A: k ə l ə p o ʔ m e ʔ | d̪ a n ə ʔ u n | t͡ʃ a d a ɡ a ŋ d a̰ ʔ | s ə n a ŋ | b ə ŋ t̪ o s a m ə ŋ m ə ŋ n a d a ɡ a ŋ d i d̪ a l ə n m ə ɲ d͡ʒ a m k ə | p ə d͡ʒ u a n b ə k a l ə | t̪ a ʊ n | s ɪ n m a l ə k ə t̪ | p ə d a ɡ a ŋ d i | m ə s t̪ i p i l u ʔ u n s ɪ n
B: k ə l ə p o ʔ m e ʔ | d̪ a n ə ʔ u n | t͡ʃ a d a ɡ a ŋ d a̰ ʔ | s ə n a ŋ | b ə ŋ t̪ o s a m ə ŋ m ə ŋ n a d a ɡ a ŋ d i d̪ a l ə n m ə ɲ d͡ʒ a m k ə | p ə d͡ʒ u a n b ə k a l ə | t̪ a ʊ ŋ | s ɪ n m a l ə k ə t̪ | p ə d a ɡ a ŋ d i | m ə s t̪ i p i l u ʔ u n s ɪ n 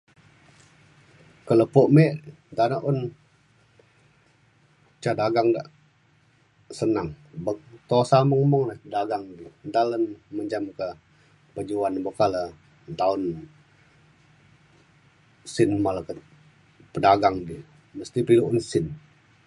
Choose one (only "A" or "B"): A